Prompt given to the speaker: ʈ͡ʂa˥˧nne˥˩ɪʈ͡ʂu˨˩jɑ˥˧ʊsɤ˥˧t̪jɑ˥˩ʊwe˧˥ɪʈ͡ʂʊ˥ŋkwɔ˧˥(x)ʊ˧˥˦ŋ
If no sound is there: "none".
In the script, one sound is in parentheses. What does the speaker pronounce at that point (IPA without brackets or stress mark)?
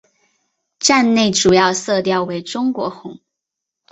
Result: x